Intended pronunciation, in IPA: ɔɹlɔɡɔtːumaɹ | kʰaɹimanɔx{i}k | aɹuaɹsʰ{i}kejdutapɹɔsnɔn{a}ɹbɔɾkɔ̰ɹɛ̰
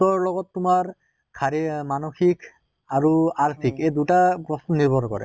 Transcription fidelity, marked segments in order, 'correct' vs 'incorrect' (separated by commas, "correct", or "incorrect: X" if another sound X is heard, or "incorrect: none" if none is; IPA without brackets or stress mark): correct, correct, incorrect: i